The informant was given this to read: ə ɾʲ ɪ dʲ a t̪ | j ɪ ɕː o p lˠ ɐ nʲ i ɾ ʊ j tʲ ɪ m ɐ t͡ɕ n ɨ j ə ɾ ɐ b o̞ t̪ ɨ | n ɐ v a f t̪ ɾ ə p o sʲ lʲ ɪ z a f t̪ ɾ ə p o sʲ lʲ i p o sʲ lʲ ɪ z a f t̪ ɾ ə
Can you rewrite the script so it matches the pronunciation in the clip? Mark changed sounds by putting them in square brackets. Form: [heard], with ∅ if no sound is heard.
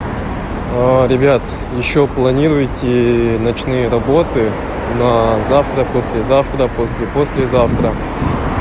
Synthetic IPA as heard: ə ɾʲ ɪ [bʲ] a t̪ | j ɪ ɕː o p lˠ ɐ nʲ i ɾ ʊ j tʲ ɪ [n] ɐ t͡ɕ n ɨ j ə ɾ ɐ b o̞ t̪ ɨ | n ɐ [z] a f t̪ ɾ ə p o sʲ lʲ ɪ z a f t̪ ɾ ə p o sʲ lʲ [ɪ] p o sʲ lʲ ɪ z a f t̪ ɾ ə

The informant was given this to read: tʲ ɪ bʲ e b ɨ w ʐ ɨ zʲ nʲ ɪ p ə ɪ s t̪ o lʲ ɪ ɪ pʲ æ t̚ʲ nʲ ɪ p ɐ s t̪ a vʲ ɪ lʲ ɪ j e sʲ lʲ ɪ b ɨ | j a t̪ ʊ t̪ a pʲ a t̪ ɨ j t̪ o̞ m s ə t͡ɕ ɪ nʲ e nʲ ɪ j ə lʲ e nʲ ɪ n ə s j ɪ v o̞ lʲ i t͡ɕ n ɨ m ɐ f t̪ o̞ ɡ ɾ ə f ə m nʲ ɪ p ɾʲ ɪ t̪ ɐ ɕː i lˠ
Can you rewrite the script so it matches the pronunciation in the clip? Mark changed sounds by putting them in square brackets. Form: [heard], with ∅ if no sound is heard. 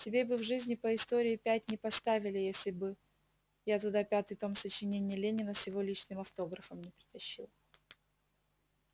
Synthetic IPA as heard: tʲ ɪ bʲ e b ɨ [v] ʐ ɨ zʲ nʲ ɪ p ə ɪ s t̪ o [ɾʲ] ɪ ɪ pʲ æ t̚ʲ nʲ ɪ p ɐ s t̪ a vʲ ɪ lʲ ɪ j e sʲ lʲ ɪ b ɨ | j a t̪ ʊ [d̪] a pʲ a t̪ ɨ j t̪ o̞ m s ə t͡ɕ ɪ nʲ e nʲ ɪ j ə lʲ e nʲ ɪ n ə s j ɪ v o̞ lʲ i t͡ɕ n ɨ m ɐ f t̪ o̞ ɡ ɾ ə f ə m nʲ ɪ p ɾʲ ɪ t̪ ɐ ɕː i lˠ

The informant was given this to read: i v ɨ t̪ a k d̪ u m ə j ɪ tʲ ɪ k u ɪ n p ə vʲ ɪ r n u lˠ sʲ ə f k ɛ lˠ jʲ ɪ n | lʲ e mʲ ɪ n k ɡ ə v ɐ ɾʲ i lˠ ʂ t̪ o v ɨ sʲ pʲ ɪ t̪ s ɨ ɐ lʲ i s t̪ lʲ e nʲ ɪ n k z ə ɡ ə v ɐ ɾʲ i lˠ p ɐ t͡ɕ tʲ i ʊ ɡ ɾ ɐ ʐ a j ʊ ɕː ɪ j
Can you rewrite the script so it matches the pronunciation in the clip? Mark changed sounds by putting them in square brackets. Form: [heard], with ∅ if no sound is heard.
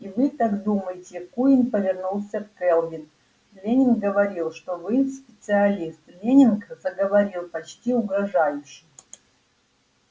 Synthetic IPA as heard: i v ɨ t̪ a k d̪ u m ə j ɪ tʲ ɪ k u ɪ n p ə vʲ ɪ r n u lˠ sʲ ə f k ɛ lˠ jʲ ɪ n | lʲ e [nʲ] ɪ n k ɡ ə v ɐ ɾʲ i lˠ ʂ t̪ o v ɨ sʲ pʲ ɪ t̪ s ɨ ɐ lʲ i s t̪ lʲ e nʲ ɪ n k z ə ɡ ə v ɐ ɾʲ i lˠ p ɐ t͡ɕ tʲ i ʊ ɡ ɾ ɐ ʐ a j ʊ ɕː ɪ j

